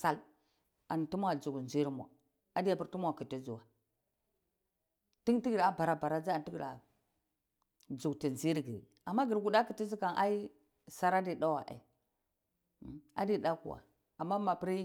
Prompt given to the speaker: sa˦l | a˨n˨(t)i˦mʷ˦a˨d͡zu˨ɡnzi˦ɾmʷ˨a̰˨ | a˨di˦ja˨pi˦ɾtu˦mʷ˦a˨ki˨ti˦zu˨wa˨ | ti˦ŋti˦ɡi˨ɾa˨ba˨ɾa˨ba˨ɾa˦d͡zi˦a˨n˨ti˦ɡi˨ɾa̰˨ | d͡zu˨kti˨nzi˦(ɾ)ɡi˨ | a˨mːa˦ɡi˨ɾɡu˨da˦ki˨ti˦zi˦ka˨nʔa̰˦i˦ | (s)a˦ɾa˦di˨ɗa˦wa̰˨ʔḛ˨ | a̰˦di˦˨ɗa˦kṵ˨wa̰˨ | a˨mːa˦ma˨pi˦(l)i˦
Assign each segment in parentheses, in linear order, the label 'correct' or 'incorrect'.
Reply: correct, correct, correct, incorrect

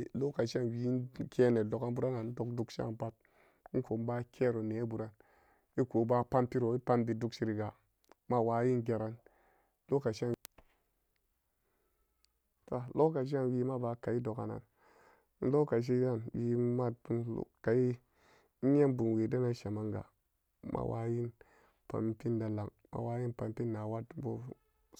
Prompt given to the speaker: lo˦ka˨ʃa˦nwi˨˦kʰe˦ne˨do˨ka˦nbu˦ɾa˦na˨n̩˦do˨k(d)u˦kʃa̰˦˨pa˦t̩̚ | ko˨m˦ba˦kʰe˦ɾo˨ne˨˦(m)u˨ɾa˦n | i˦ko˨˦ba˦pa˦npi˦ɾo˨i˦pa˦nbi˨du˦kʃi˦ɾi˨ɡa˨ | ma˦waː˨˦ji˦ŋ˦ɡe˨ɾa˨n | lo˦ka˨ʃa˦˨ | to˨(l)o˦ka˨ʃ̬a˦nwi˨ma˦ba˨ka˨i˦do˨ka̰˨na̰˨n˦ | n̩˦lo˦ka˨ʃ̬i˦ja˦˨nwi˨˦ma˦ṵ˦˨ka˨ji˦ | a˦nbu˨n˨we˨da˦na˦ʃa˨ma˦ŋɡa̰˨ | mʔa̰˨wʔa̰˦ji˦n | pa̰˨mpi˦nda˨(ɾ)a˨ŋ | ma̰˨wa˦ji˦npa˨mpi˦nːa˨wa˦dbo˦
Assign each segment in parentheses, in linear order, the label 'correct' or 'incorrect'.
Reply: correct, incorrect, correct, incorrect

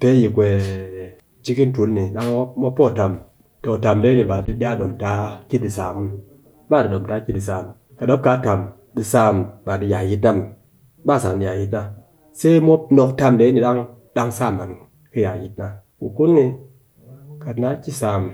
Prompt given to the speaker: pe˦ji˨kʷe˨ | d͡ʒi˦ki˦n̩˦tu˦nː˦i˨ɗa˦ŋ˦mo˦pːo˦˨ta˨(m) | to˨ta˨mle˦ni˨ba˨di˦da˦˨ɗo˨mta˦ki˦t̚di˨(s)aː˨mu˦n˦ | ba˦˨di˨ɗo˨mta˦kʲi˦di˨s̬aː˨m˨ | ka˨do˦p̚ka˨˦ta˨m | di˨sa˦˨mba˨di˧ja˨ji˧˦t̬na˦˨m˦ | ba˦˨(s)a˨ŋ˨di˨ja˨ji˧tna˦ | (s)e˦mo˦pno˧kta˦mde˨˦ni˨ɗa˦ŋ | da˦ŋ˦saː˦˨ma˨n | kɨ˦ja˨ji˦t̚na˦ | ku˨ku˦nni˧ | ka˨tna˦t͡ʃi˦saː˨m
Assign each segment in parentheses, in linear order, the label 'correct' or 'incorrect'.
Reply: correct, correct, correct, correct

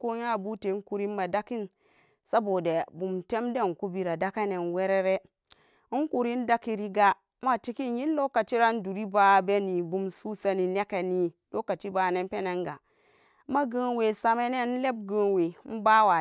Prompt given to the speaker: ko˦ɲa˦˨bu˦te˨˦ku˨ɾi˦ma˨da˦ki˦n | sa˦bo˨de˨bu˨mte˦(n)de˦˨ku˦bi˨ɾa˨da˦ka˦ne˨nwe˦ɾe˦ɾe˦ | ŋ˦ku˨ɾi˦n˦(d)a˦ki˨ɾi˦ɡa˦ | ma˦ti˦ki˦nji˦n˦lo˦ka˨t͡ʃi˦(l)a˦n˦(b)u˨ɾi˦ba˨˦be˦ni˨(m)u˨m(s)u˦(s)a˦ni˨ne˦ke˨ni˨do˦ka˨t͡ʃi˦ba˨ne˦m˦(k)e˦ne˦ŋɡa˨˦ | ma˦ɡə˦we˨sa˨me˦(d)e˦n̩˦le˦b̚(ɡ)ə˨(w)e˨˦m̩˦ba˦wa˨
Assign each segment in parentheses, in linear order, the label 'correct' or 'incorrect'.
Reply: incorrect, correct, incorrect, incorrect, incorrect, correct, correct, incorrect, incorrect, correct, correct

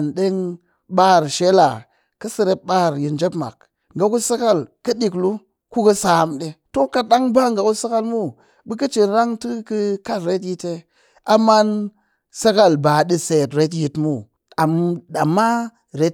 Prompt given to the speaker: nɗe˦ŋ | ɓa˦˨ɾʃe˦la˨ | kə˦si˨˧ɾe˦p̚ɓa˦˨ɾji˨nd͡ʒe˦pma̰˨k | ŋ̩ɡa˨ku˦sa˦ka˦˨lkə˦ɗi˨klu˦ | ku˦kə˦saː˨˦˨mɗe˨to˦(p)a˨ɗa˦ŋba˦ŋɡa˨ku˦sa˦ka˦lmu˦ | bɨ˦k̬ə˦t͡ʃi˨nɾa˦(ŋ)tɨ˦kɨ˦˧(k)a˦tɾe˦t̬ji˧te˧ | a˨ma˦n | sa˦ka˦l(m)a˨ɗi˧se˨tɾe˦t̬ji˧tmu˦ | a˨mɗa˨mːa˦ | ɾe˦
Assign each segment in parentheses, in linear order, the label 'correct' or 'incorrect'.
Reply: incorrect, correct, correct, incorrect

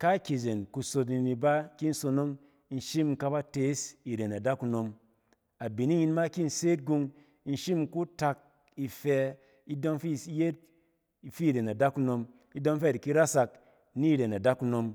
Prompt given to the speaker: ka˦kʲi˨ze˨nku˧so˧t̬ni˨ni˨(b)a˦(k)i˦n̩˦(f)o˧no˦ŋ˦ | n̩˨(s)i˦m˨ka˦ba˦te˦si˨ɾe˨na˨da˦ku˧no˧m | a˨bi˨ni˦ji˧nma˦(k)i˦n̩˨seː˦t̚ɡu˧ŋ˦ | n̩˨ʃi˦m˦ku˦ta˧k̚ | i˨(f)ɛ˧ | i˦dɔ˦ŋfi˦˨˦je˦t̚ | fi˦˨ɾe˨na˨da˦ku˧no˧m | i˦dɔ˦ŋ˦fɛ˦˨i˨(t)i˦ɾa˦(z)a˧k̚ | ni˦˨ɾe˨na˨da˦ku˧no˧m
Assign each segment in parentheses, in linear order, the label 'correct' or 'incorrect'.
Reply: correct, correct, incorrect, incorrect, correct, correct, incorrect, incorrect

